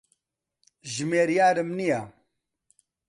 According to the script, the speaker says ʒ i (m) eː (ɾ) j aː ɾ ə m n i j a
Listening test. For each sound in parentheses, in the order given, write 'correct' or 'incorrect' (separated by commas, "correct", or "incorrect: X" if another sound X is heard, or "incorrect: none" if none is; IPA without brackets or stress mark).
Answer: correct, correct